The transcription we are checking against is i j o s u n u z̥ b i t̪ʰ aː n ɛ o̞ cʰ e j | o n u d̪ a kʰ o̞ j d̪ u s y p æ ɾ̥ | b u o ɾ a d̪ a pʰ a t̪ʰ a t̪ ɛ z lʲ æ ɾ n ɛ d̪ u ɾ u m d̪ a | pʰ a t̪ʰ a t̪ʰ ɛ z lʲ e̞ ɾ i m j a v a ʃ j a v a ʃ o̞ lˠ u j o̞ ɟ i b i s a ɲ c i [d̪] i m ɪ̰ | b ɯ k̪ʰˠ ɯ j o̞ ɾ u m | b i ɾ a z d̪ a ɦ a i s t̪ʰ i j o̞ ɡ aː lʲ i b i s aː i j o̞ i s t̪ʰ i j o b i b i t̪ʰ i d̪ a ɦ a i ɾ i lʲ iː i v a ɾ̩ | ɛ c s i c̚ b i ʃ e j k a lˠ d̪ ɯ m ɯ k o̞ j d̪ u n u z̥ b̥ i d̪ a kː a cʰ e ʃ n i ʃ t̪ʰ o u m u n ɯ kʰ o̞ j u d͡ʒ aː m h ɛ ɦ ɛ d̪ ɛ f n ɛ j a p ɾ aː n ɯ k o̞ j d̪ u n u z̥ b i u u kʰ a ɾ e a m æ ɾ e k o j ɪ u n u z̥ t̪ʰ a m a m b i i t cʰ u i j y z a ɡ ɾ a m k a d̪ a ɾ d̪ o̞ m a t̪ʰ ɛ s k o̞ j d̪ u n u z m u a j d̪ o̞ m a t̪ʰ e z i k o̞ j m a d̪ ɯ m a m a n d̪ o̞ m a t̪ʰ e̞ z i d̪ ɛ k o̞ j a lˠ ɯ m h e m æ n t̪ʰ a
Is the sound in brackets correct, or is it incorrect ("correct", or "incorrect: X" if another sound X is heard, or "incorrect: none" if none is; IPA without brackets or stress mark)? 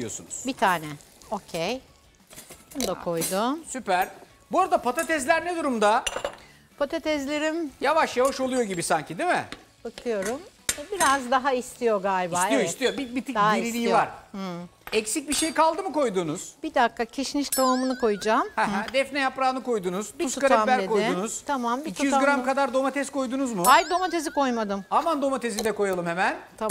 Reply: correct